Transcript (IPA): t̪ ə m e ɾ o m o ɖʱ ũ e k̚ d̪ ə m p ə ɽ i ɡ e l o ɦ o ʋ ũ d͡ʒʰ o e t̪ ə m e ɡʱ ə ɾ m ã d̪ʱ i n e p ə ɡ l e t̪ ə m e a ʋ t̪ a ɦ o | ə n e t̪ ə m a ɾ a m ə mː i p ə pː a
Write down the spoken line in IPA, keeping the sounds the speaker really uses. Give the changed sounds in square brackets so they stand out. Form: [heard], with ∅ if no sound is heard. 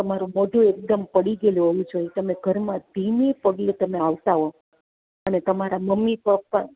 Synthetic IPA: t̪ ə m [a] ɾ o m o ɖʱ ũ e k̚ d̪ ə m p ə ɽ i ɡ e l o ɦ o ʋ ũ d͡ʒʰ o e t̪ ə m e ɡʱ ə ɾ m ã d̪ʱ i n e p ə ɡ l e t̪ ə m e a ʋ t̪ a ɦ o | ə n e t̪ ə m a ɾ a m ə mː i p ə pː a

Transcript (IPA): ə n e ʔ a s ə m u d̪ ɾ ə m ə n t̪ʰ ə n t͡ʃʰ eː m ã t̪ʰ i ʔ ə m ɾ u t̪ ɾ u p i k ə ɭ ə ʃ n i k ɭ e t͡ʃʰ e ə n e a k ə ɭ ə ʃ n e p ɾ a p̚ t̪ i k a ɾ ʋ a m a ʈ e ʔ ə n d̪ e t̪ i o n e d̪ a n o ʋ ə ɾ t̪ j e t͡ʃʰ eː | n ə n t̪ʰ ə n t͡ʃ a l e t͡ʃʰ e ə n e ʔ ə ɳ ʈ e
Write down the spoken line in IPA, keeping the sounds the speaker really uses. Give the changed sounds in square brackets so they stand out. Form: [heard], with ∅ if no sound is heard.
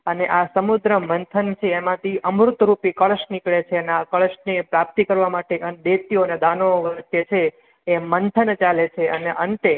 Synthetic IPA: ə n e ʔ a s ə m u d̪ ɾ ə m ə n t̪ʰ ə n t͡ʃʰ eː m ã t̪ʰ i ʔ ə m ɾ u t̪ ɾ u p i k ə ɭ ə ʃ n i k ɭ e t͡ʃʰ e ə n e a k ə ɭ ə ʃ n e p ɾ a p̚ t̪ i k [ə] ɾ ʋ a m a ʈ e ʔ ə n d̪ e t̪ i o n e d̪ a n o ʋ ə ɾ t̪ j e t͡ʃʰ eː | [m] ə n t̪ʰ ə n t͡ʃ a l e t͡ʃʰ e ə n e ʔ ə ɳ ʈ e

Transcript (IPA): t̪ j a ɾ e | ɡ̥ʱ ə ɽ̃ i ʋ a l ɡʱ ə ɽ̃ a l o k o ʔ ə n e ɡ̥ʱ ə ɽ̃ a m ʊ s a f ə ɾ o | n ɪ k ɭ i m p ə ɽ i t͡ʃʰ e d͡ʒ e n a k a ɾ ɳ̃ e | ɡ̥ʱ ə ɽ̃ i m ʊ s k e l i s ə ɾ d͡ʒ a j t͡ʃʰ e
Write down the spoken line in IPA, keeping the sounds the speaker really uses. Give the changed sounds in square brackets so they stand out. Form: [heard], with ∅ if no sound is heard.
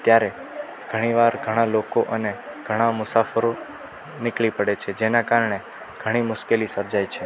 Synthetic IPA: t̪ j a ɾ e | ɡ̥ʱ ə ɽ̃ i ʋ a [ɾ] ɡʱ ə ɽ̃ a l o k o ʔ ə n e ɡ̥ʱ ə ɽ̃ a m ʊ s a f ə ɾ o | n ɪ k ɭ i [∅] p ə ɽ [e] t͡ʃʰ e d͡ʒ e n a k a ɾ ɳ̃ e | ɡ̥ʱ ə ɽ̃ i m ʊ [ʃ] k e l i s ə ɾ d͡ʒ a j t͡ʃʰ e

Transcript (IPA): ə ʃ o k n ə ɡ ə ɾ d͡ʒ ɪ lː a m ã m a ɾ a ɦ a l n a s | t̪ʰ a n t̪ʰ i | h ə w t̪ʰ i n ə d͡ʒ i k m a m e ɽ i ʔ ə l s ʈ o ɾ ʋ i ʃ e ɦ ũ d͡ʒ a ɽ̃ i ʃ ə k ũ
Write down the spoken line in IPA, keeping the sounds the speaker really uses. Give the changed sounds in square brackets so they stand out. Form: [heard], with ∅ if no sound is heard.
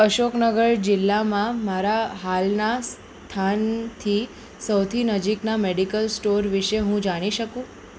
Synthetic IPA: ə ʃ o k n ə ɡ ə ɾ d͡ʒ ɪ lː a m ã m a ɾ a ɦ a l n a s | t̪ʰ a n t̪ʰ i | [s] ə w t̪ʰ i n ə d͡ʒ i k [n] a m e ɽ i [k] ə l s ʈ o ɾ ʋ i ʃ e ɦ ũ d͡ʒ a ɽ̃ i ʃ ə k ũ

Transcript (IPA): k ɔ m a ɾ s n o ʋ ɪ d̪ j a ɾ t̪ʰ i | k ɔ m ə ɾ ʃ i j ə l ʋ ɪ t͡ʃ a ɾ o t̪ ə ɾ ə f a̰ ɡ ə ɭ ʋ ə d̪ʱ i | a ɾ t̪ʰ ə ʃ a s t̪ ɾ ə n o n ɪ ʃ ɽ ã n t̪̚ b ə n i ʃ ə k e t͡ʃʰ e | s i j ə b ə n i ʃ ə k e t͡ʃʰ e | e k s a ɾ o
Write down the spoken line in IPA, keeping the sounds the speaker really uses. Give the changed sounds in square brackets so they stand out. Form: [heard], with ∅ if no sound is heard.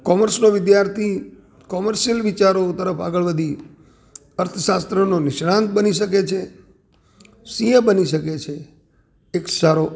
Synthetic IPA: k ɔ m [ə] ɾ s n o ʋ ɪ d̪ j a ɾ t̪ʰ i | k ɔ m ə ɾ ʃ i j ə l ʋ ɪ t͡ʃ a ɾ o t̪ ə ɾ ə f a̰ ɡ ə ɭ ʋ ə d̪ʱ i | [ə] ɾ t̪ʰ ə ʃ a s t̪ ɾ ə n o n ɪ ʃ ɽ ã n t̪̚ b ə n i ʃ ə k e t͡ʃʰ e | s i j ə b ə n i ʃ ə k e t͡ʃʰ e | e k s a ɾ o

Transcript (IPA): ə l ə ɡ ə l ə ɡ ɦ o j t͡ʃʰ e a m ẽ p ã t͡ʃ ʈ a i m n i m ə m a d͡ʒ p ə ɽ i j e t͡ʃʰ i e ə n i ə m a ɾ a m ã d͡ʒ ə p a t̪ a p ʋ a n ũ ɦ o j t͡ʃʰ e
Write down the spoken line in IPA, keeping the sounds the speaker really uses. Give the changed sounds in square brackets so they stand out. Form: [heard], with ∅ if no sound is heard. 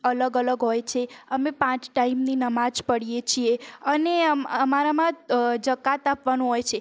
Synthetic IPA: ə l ə ɡ ə l ə ɡ ɦ o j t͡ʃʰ e [ə] m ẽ p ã t͡ʃ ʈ a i m n i [n] ə m a d͡ʒ p ə ɽ i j e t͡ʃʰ i e ə n [e] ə m a ɾ a m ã d͡ʒ ə [k] a t̪ a p ʋ a n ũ ɦ o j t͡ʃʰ e

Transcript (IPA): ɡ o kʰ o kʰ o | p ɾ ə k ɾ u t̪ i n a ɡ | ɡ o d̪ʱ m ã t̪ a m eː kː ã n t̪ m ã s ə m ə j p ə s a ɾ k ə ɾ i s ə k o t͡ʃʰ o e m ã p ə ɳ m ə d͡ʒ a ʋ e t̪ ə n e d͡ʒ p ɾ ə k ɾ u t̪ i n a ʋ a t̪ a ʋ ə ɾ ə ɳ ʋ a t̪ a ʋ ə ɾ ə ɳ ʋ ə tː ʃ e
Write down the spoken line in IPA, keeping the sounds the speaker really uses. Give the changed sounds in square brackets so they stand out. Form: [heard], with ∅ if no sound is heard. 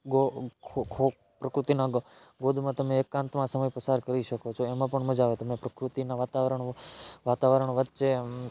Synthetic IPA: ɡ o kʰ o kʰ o | p ɾ ə k ɾ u t̪ i n a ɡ | ɡ o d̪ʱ m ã t̪ [ə] m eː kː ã n t̪ m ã s ə m ə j p ə s a ɾ k ə ɾ i [ʃ] ə k o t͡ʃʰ o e m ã p ə ɳ m ə d͡ʒ a ʋ e t̪ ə [m] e [∅] p ɾ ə k ɾ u t̪ i n a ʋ a t̪ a ʋ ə ɾ ə ɳ ʋ a t̪ a ʋ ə ɾ ə ɳ ʋ ə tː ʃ e

